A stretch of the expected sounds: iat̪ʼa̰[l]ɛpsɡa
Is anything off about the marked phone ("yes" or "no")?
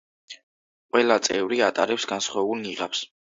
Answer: yes